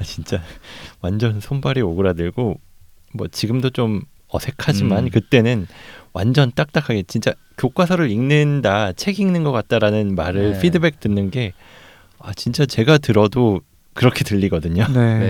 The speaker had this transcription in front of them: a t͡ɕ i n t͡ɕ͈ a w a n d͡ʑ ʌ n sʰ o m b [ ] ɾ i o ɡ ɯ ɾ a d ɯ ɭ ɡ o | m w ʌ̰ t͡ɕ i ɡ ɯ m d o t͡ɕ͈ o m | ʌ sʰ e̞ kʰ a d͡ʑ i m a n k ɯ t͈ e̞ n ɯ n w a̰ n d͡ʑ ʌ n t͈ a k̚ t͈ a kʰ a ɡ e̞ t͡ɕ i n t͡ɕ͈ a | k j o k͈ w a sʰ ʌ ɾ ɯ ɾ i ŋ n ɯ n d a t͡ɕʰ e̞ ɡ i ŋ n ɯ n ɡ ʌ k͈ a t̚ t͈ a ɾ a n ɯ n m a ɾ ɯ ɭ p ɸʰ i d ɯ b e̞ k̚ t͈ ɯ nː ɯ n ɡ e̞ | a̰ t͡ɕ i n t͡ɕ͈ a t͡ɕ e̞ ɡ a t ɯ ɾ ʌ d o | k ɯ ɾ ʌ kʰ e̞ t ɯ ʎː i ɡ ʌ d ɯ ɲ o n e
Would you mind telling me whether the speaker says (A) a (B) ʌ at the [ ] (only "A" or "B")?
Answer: A